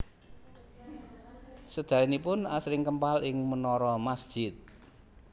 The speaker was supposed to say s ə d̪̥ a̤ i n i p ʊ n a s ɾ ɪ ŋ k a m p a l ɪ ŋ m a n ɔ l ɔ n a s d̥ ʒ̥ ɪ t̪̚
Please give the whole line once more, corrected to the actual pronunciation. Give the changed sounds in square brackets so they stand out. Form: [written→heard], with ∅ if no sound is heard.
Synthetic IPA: s ə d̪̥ a̤ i n i p ʊ n a s ɾ ɪ ŋ k [a→ə] m p a l ɪ ŋ m [a→ə] n ɔ [l→ɾ] ɔ [n→m] a s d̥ ʒ̥ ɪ t̪̚